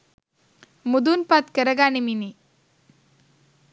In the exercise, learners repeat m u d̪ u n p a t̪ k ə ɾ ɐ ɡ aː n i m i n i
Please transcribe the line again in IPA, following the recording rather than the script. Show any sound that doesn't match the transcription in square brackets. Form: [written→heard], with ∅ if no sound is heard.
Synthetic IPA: m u d̪ u n p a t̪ k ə ɾ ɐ ɡ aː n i m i n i